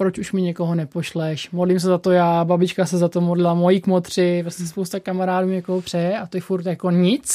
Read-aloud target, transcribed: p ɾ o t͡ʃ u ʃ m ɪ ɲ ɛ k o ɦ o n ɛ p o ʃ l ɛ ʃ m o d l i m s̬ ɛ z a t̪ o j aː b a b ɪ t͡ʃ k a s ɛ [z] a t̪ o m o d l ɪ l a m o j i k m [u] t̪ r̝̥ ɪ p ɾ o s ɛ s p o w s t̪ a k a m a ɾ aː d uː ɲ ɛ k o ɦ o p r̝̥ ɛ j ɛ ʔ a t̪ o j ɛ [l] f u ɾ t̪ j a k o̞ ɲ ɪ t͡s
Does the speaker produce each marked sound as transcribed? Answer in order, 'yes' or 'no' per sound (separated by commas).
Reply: yes, no, no